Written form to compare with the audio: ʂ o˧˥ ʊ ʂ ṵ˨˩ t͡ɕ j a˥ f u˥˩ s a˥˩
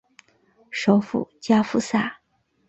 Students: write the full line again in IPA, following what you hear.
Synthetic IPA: ʂ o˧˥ ʊ f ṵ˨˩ t͡ɕ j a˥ f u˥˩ s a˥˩